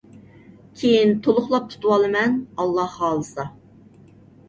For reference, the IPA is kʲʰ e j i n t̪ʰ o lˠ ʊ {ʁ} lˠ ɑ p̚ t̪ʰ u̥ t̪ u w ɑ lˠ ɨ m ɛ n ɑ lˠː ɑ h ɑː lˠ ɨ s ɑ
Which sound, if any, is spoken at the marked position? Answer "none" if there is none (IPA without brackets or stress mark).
χ